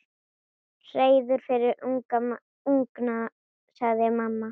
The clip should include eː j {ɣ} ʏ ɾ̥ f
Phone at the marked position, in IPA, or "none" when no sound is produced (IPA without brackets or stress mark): ð